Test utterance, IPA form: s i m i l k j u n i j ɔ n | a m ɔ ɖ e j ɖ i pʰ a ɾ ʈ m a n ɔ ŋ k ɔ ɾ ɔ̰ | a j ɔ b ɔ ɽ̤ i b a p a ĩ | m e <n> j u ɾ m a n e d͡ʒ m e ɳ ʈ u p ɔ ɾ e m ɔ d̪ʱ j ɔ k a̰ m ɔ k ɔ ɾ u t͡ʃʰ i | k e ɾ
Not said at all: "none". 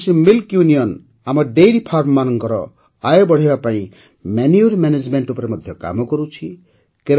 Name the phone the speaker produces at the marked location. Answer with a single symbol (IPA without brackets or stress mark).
n